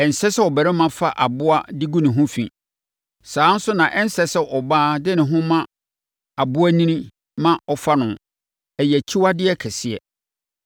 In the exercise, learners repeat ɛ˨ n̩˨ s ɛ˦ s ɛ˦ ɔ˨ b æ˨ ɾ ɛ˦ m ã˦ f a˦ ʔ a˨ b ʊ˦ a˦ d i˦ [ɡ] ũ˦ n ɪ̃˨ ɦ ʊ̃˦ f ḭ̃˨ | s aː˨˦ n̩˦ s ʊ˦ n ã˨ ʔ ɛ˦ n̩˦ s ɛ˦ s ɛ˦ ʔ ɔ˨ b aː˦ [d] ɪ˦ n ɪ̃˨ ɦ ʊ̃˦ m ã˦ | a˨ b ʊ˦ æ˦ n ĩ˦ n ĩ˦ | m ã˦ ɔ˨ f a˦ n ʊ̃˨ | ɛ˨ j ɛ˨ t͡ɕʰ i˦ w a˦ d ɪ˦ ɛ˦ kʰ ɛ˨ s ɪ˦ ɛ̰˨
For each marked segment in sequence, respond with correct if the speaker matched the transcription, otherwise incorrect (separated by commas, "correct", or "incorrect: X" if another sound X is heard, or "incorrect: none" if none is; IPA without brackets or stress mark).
correct, correct